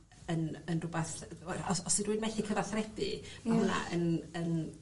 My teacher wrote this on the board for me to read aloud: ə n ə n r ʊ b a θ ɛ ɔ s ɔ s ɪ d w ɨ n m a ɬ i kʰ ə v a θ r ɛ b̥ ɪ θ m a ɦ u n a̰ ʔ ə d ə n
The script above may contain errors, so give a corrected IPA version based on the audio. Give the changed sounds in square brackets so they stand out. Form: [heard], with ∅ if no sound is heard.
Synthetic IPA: ə n ə n r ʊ b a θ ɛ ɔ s ɔ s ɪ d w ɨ n m [ɛ] ɬ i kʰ ə v a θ r ɛ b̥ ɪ [∅] m a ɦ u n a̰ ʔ ə [n] ə n